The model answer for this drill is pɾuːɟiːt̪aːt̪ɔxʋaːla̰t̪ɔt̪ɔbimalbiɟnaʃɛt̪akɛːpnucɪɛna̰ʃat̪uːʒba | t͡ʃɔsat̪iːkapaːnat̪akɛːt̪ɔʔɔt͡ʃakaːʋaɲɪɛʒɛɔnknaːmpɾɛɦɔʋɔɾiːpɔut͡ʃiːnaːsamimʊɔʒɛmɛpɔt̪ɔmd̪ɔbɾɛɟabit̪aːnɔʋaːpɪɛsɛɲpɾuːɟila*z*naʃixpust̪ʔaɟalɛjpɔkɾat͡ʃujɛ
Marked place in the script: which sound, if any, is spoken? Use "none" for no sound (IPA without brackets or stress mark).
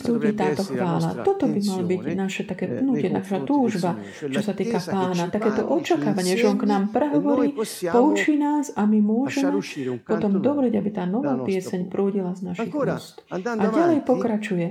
z